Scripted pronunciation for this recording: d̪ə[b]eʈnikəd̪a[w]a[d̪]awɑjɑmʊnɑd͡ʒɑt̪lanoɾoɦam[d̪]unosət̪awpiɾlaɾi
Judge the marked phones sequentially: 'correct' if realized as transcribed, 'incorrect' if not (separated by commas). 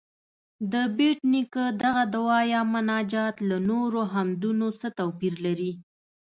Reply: correct, incorrect, correct, correct